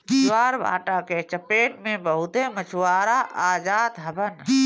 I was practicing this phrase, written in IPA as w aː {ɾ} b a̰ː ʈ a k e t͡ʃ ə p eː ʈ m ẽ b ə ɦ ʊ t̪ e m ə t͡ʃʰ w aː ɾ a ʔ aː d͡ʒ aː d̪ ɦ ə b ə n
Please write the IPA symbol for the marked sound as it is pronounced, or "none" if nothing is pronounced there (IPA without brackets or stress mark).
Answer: ɾ